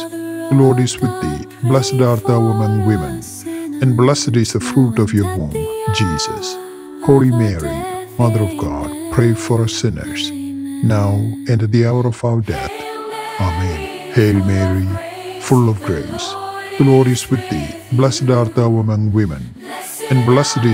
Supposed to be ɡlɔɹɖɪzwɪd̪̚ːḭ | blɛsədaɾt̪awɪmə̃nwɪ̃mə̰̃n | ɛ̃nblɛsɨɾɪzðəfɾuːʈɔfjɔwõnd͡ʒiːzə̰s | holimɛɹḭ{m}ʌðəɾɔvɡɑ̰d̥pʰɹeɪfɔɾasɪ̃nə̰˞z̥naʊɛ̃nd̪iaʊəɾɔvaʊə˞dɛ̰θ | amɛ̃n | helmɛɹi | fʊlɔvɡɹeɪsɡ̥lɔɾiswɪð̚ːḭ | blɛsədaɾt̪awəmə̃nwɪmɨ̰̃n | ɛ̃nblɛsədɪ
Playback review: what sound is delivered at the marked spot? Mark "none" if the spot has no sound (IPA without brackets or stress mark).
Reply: m